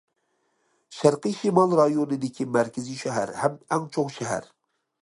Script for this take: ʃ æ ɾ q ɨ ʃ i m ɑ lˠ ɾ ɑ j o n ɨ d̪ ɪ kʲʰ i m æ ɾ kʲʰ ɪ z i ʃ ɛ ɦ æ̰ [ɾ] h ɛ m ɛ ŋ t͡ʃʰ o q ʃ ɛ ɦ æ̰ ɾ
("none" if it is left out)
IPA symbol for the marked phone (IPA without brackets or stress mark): ɾ